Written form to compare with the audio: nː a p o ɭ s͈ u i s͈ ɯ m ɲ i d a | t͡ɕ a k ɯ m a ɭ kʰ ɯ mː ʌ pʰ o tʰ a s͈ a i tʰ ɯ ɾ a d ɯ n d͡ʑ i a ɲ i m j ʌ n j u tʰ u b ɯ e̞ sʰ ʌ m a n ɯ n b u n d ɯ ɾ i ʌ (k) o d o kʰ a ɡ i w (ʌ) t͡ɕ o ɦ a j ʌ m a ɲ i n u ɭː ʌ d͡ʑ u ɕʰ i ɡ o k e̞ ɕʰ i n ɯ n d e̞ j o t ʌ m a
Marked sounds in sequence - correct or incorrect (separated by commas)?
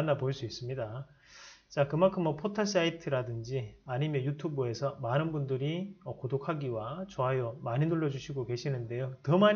correct, incorrect